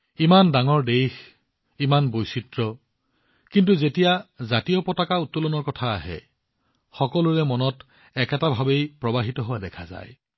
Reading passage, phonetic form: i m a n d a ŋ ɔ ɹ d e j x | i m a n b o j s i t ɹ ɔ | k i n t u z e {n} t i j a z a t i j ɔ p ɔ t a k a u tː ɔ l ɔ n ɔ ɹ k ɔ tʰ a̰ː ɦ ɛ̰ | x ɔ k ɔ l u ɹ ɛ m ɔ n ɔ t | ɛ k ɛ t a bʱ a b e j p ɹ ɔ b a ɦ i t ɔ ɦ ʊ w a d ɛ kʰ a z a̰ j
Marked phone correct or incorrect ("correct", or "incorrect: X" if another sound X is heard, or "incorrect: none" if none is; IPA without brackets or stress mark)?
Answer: incorrect: none